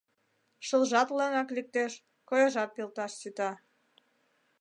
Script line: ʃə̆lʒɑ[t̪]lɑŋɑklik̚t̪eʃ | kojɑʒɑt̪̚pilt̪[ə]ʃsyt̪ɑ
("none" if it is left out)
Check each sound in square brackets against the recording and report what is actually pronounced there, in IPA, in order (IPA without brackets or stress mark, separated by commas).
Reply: t̪, ɑ